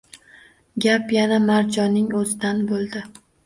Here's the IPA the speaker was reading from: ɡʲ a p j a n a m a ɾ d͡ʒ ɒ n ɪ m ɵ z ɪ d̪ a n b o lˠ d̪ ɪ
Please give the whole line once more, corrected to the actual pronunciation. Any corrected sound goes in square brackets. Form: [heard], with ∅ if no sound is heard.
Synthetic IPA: ɡʲ a p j a n a m a ɾ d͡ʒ ɒ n ɪ [ŋ] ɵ z ɪ d̪ a n b o lˠ d̪ ɪ